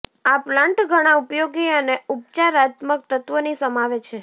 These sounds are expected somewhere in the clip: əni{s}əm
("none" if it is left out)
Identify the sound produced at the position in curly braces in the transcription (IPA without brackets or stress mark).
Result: s